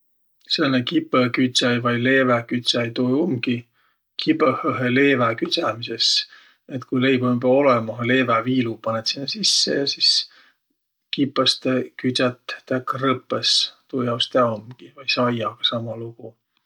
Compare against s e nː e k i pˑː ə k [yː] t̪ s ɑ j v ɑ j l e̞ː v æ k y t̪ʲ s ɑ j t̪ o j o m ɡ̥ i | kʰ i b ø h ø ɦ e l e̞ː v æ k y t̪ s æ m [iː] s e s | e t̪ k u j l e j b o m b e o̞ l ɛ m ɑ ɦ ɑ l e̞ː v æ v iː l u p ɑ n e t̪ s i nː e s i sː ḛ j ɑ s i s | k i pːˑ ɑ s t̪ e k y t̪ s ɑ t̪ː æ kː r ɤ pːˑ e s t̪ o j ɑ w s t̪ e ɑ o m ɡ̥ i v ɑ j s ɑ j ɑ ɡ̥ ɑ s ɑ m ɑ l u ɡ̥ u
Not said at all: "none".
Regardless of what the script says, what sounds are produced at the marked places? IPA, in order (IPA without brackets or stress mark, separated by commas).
y, i